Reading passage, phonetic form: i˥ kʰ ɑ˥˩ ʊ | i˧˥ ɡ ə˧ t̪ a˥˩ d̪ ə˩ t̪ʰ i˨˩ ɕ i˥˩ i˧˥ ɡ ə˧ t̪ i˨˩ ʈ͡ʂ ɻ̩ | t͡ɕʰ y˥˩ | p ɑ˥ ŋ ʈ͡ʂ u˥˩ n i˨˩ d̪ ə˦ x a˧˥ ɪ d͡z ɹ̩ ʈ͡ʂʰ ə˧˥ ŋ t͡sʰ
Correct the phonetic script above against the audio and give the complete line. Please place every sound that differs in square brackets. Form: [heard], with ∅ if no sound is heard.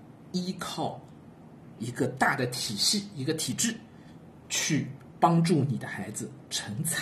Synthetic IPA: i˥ kʰ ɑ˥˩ ʊ | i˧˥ ɡ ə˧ t̪ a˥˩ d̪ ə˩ t̪ʰ i˨˩ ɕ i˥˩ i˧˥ ɡ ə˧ [t̪ʰ] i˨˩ ʈ͡ʂ ɻ̩ | t͡ɕʰ y˥˩ | p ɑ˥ ŋ ʈ͡ʂ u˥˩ n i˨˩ d̪ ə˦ x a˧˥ ɪ d͡z ɹ̩ ʈ͡ʂʰ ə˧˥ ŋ t͡sʰ